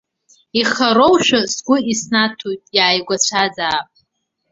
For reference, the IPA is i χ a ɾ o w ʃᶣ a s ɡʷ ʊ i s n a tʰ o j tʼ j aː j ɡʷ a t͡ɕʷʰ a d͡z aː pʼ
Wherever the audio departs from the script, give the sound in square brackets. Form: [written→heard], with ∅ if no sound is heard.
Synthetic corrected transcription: i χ a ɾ o w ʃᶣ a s ɡʷ ʊ i s n a tʰ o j tʼ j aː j ɡʷ a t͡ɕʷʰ a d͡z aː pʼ

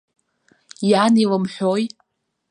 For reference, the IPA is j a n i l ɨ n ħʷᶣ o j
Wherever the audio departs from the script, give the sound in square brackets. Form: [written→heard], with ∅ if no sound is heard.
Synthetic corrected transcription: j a n i l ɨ [n→m] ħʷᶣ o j

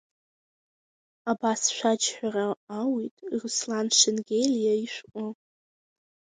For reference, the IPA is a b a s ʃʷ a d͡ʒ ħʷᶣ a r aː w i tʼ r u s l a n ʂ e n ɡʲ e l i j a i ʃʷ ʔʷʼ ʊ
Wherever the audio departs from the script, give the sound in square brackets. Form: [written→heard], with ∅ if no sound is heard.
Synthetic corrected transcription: a b a s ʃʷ a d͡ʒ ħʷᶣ a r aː w i tʼ r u s l a n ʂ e n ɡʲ e l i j a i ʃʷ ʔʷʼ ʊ

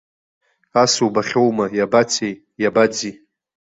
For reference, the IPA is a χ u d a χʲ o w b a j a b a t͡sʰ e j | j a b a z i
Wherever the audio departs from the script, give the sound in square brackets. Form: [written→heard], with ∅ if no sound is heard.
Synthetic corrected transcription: a [χ→s] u [d→b] a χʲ o w [b→m] a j a b a t͡sʰ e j | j a b a [z→d͡z] i

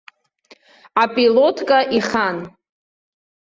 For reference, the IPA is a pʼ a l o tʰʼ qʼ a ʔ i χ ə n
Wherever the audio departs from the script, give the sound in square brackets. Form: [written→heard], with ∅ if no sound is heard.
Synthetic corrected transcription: a pʼ [a→i] l o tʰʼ [qʼ→kʼ] a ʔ i χ [ə→a] n

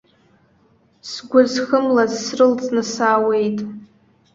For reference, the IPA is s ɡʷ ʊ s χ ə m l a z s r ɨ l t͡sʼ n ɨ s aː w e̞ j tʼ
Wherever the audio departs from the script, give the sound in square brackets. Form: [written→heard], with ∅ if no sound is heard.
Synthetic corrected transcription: s ɡʷ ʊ [s→z] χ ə m l a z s r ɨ l t͡sʼ n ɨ s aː w e̞ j tʼ

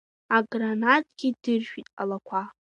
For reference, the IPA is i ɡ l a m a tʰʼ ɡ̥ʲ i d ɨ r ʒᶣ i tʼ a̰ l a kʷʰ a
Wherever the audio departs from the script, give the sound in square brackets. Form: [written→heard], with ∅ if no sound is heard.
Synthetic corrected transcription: [i→a] ɡ [l→r] a [m→n] a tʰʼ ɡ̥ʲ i d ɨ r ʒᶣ i tʼ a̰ l a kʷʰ a

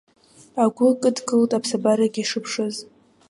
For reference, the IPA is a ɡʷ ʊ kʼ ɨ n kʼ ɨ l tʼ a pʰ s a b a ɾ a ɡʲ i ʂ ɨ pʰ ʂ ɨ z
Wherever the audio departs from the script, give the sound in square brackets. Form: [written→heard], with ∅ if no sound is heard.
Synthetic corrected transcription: a ɡʷ ʊ kʼ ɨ [n→d] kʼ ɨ l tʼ a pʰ s a b a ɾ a ɡʲ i ʂ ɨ pʰ ʂ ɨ z

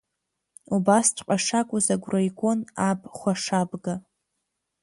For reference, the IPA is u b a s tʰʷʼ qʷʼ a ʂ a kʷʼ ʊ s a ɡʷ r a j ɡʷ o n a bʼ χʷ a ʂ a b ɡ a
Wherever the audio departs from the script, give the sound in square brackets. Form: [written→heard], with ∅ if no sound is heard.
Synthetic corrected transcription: u b a s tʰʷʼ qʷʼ a ʂ a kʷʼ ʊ [s→z] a ɡʷ r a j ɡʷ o n a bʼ χʷ a ʂ a b ɡ a

